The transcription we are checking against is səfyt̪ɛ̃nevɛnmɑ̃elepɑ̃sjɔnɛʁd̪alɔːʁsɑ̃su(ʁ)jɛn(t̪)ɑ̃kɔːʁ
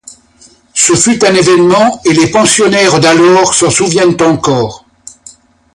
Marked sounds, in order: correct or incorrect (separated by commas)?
incorrect, correct